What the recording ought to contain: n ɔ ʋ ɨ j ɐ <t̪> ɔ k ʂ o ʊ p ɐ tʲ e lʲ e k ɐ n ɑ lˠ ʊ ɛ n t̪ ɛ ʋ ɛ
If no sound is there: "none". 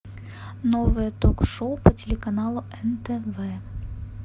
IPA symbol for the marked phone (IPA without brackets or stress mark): t̪